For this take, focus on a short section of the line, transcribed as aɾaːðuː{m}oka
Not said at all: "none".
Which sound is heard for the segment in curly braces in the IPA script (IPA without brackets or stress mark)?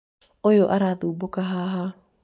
b